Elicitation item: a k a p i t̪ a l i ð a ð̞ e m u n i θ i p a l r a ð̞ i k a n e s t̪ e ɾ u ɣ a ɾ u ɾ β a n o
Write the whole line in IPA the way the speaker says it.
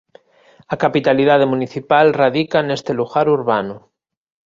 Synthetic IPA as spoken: a k a p i t̪ a l i ð a ð̞ e m u n i θ i p a l r a ð̞ i k a n e s t̪ e l u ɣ a ɾ u ɾ β a n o